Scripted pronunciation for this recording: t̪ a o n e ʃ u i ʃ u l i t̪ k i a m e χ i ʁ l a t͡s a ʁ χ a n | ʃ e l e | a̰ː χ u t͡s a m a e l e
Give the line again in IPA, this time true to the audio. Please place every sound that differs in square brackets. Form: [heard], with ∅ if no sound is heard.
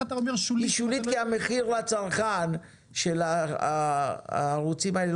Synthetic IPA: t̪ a o [m] e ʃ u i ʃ u l i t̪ k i a m e χ i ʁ l a t͡s a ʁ χ a n | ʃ e l [a] | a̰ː [ʁ] u t͡s [i] m a e l e

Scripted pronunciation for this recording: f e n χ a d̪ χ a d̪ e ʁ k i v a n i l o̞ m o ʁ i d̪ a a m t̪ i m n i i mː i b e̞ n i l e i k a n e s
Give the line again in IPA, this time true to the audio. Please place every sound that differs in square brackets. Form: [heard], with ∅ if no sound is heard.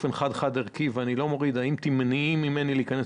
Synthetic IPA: f e n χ a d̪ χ a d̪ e ʁ k i v a n i l o̞ m o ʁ i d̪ a [i] m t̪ i m n i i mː i [m] e̞ n i l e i k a n e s

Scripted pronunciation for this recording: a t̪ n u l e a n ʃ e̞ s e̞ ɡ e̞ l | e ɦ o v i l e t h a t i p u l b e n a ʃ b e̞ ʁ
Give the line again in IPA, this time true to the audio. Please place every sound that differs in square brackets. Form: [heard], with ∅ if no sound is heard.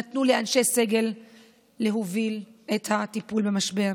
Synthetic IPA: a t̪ n u l e a n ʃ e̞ s e̞ ɡ e̞ [lː] | e ɦ o v i l e t h a t i p u l b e [m] a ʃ b e̞ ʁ

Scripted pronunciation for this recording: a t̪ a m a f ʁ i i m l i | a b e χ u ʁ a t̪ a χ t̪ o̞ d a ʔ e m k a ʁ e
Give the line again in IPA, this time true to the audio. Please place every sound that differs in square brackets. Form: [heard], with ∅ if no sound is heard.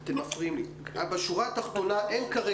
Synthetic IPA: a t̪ [e] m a f ʁ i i m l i | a b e [ʃ] u ʁ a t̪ a χ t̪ o̞ [n] a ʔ e [n] k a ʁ e

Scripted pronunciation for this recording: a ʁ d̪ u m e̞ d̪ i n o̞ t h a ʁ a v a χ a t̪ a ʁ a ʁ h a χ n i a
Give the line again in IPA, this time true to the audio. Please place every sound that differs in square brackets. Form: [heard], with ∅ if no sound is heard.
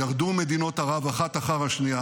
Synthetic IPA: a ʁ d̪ u m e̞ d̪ i n o̞ t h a ʁ a v a χ a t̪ a [χ] a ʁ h a [ʃ] n i a

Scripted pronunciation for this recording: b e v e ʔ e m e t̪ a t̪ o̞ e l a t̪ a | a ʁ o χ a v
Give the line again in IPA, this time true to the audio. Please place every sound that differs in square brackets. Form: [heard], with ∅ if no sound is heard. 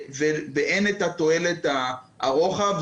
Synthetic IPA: [v] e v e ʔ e [n] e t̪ a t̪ o̞ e l [e] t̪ a | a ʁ o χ a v

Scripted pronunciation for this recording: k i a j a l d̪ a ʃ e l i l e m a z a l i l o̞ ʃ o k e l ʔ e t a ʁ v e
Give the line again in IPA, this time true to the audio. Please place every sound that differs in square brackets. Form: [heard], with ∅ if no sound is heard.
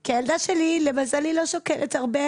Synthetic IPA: k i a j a l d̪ a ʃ e l i l e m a z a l i l o̞ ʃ o k e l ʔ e t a ʁ [b] e

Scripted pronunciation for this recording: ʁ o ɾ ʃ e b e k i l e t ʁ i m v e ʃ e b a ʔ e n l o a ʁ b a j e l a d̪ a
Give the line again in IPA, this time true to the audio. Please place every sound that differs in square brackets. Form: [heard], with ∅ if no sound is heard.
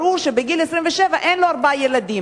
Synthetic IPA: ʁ [u] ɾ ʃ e b e [ɡ] i l e [s] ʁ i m v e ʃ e [v] a ʔ e n l o a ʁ b a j e l a d̪ [i]

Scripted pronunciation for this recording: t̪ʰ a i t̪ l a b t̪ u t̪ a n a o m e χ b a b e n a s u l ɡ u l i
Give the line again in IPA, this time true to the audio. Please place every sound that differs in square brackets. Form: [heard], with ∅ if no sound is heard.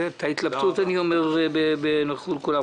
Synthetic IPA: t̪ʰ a i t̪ l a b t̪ u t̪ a n [i] o m e [ʁ] b [e] b e n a [χ] u l [k] u l [a]

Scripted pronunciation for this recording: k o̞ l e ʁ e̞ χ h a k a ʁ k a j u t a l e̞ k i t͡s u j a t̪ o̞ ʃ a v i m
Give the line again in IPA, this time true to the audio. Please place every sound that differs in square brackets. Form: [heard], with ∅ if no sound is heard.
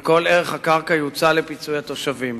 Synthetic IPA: k o̞ l e ʁ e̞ χ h a k a ʁ k a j u [t͡s] a l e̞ [p] i t͡s u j a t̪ o̞ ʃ a v i m

